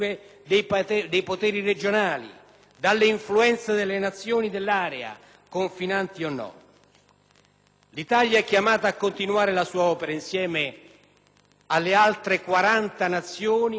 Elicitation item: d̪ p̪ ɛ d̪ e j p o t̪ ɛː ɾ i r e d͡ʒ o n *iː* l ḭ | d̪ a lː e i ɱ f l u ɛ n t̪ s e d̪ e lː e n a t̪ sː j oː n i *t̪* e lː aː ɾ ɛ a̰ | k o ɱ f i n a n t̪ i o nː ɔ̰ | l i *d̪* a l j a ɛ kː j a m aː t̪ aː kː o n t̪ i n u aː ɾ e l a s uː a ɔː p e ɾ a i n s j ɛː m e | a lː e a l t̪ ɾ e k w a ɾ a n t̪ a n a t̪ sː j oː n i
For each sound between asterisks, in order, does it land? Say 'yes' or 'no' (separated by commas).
no, no, no